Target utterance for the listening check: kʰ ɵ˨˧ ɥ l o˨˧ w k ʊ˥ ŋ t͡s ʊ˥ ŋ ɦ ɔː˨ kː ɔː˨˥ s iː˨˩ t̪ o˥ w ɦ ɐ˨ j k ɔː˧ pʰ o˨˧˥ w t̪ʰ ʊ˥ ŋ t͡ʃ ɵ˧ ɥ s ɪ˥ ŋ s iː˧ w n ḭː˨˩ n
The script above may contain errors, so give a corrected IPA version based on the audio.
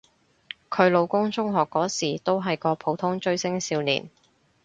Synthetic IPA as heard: kʰ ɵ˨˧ ɥ l o˨˧ w k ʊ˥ ŋ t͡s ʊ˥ ŋ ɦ ɔː˨ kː ɔː˨˥ s iː˨˩ t̪ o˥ w ɦ ɐ˨ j k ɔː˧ pʰ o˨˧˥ w t̪ʰ ʊ˥ ŋ t͡ʃ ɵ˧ ɥ s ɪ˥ ŋ s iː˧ w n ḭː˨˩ n